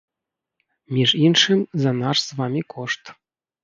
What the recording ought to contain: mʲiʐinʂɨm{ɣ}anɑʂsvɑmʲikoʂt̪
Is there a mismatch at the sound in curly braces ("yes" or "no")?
yes